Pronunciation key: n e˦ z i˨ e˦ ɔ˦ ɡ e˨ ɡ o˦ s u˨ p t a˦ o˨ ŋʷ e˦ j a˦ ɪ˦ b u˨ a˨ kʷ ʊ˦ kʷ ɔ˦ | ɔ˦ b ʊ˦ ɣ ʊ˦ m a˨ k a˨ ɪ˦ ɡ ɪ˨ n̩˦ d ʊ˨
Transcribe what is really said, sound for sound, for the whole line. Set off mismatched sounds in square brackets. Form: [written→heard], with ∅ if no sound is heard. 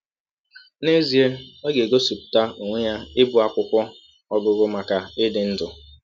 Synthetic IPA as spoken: n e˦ z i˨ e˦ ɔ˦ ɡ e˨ ɡ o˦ s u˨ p t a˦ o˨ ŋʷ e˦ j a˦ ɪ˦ b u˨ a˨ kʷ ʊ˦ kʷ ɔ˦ | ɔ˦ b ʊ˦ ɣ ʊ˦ m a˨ k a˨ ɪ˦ [ɡ→d] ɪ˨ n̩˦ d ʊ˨